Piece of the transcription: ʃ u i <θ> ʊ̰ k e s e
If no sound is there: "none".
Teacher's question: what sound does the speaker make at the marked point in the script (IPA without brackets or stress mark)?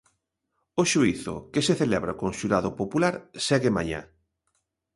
θ